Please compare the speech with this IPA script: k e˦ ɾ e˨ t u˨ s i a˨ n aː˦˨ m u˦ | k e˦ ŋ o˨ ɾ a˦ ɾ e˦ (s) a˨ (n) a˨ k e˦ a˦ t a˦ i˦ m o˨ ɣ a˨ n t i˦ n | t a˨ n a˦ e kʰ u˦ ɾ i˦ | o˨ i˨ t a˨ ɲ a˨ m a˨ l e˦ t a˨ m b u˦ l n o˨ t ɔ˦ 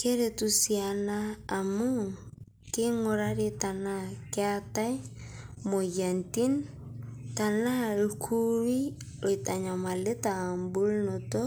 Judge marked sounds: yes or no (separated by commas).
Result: no, yes